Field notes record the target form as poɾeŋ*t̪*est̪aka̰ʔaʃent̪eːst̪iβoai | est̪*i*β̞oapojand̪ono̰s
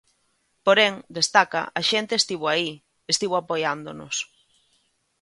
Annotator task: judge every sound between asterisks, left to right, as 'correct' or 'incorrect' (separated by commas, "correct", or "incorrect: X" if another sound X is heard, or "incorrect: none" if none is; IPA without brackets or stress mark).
incorrect: d̪, correct